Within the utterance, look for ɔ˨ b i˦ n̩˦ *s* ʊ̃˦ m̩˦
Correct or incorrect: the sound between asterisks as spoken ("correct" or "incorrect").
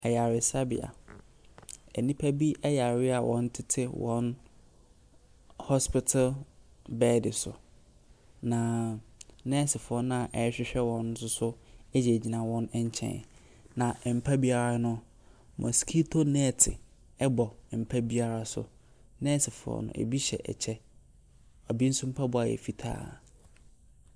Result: correct